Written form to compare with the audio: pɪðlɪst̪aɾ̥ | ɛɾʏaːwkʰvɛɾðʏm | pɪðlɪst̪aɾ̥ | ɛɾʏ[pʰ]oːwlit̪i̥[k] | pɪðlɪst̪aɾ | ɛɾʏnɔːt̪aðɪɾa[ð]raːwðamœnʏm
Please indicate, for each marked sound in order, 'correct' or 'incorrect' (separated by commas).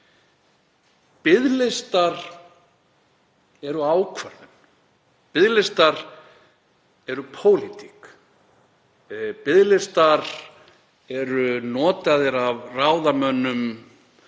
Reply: correct, correct, incorrect